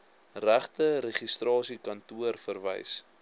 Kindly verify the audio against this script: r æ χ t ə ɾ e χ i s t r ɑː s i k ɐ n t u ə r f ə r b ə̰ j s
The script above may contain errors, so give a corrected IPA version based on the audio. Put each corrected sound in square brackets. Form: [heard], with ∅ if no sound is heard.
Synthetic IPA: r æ χ t ə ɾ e χ i s t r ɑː s i k ɐ n t u ə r f ə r [v] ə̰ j s